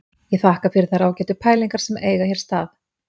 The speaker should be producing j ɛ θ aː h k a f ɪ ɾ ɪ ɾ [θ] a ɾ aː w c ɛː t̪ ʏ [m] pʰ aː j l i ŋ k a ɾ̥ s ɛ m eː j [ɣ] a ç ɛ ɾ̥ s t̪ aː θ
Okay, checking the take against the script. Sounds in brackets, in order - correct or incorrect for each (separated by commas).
correct, incorrect, correct